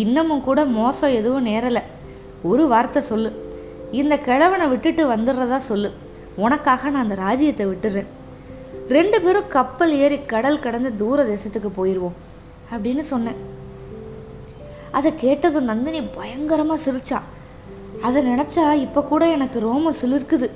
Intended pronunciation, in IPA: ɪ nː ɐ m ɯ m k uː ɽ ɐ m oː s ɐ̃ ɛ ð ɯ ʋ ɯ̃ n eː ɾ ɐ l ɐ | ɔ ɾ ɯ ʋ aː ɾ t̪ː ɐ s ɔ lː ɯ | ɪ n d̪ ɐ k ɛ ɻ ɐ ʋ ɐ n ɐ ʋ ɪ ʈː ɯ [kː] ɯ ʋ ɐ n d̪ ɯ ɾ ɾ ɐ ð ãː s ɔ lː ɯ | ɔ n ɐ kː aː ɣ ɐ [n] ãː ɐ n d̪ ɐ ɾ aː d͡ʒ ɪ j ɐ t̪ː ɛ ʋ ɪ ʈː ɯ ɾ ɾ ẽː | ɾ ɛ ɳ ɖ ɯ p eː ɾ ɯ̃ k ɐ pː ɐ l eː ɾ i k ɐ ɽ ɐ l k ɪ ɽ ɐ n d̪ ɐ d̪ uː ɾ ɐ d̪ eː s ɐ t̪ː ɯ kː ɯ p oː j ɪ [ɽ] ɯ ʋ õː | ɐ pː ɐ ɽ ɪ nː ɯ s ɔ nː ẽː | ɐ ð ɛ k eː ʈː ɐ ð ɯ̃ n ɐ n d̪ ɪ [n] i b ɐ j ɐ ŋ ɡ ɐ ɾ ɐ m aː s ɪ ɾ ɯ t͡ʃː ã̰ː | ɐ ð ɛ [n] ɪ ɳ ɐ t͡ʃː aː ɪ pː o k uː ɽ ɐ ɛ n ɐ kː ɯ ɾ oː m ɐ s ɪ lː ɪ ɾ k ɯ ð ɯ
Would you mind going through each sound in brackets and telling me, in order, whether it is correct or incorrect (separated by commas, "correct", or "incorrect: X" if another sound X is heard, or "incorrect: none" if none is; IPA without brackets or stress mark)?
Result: incorrect: ʈː, correct, incorrect: ɾ, correct, correct